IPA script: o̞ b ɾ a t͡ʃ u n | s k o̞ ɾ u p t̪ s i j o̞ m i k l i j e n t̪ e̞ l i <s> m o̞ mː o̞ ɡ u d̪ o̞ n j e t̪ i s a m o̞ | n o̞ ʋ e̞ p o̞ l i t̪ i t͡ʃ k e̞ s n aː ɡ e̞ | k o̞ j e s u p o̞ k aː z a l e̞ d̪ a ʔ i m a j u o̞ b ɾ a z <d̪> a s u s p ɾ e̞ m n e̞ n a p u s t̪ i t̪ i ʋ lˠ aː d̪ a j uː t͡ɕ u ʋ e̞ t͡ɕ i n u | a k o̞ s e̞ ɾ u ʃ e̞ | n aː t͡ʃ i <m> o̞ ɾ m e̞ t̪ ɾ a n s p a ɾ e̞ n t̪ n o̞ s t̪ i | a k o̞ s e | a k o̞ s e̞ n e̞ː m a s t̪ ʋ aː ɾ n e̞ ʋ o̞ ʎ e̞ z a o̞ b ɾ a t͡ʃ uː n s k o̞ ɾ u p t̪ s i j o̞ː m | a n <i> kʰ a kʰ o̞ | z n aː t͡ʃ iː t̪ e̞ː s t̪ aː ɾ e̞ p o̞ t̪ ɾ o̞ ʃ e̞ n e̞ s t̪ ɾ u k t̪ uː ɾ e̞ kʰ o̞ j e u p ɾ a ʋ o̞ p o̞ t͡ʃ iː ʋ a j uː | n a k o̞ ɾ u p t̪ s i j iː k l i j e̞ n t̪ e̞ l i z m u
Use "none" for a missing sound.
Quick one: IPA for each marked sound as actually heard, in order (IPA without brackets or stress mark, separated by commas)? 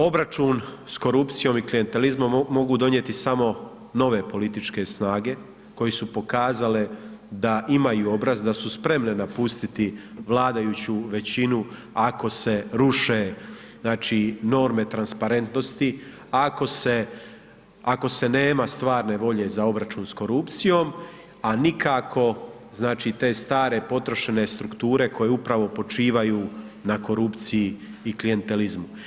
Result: z, d̪, n, i